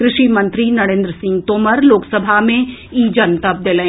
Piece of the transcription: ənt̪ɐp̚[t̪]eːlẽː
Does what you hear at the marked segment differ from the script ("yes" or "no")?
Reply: yes